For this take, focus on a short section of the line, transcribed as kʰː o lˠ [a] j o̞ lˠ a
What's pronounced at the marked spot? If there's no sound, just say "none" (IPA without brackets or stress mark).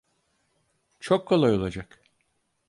a